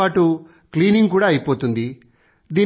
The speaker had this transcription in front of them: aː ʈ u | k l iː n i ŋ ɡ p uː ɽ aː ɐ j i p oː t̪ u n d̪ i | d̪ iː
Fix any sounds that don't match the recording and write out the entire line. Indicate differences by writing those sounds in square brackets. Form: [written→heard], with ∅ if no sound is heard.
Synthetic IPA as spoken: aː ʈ u | k l iː n i ŋ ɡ [p→k] uː ɽ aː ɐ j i p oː t̪ u n d̪ i | d̪ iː

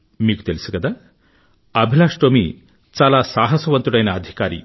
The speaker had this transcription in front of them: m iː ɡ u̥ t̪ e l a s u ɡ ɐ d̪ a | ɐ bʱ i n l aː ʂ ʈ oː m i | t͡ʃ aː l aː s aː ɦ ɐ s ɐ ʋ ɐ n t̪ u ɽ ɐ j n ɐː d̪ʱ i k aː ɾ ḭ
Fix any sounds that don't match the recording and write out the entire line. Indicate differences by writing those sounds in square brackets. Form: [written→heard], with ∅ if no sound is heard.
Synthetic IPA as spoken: m iː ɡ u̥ t̪ e l [a→i] s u ɡ ɐ d̪ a | ɐ bʱ i [n→∅] l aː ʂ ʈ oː m i | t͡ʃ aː l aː s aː ɦ ɐ s ɐ ʋ ɐ n t̪ u ɽ ɐ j n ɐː d̪ʱ i k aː ɾ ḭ

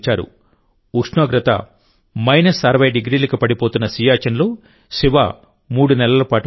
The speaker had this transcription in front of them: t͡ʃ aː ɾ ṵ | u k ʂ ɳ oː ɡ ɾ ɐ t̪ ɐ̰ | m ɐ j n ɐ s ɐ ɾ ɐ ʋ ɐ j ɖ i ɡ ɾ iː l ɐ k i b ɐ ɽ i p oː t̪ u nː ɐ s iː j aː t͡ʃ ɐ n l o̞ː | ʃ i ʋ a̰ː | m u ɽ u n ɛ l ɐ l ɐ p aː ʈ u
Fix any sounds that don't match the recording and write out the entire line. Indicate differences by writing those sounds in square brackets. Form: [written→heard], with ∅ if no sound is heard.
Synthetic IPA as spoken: t͡ʃ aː ɾ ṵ | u k ʂ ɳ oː ɡ ɾ ɐ t̪ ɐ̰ | m ɐ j n ɐ s ɐ ɾ ɐ ʋ ɐ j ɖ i ɡ ɾ iː l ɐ k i [b→p] ɐ ɽ i p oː t̪ u nː ɐ s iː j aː t͡ʃ ɐ n l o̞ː | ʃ i ʋ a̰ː | m [u→uː] ɽ u n ɛ l ɐ l ɐ p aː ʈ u

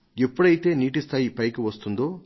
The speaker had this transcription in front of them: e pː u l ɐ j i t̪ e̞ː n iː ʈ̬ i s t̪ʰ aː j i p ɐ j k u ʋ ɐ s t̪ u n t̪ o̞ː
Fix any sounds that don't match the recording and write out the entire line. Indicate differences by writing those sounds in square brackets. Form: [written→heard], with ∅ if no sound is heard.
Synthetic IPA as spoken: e pː u [l→ɽ] ɐ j i t̪ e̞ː n iː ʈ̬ i s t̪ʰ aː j i p ɐ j k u ʋ ɐ s t̪ u n [t̪→d̪] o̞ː

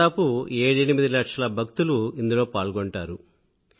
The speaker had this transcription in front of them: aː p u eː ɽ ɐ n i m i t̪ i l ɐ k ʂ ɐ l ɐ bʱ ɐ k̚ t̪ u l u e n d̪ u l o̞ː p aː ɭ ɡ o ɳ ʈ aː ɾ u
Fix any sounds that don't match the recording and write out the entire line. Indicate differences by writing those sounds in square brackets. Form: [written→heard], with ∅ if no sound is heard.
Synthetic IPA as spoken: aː p u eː ɽ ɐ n i m i [t̪→d̪] i l ɐ k ʂ ɐ l ɐ bʱ ɐ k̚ t̪ u l u [e→i] n d̪ u l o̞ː p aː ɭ ɡ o ɳ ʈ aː ɾ u

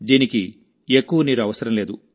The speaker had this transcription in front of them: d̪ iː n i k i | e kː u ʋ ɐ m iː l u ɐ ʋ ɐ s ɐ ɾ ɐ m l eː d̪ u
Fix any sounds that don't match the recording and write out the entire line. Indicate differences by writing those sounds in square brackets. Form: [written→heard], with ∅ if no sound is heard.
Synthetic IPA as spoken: d̪ iː n i k i | e kː u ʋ ɐ [m→n] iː [l→ɾ] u ɐ ʋ ɐ s ɐ ɾ ɐ m l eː d̪ u

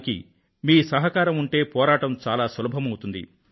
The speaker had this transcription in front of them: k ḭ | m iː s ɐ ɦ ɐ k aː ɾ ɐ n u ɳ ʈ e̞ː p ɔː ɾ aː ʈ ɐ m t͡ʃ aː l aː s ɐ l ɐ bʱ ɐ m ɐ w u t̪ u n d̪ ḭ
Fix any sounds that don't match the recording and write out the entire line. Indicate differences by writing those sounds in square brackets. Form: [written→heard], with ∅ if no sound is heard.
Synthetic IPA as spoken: k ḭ | m iː s ɐ ɦ ɐ k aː ɾ ɐ [n→m] u ɳ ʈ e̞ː p ɔː ɾ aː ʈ ɐ m t͡ʃ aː l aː s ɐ l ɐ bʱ ɐ m ɐ w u t̪ u n d̪ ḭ

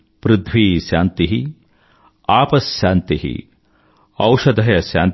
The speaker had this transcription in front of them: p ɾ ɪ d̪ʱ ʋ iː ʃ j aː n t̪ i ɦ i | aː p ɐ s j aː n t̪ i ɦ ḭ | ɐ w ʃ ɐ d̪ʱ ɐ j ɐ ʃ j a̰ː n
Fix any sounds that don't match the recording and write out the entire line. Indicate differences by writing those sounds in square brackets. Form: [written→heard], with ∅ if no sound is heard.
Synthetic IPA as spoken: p ɾ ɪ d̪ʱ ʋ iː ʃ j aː n t̪ i ɦ i | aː p ɐ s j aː n t̪ i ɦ ḭ | ɐ w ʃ ɐ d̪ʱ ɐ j ɐ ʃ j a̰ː n

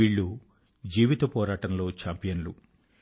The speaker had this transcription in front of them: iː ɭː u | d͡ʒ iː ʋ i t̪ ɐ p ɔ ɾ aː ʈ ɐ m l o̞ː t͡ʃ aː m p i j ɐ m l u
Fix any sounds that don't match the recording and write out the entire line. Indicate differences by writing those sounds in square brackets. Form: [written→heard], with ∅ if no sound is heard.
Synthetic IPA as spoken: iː ɭː u | d͡ʒ iː ʋ i t̪ ɐ p [ɔ→ɔː] ɾ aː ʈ ɐ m l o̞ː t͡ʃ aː m p i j ɐ [m→n] l u

